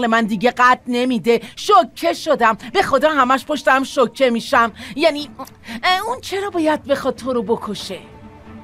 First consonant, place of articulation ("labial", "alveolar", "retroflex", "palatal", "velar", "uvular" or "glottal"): alveolar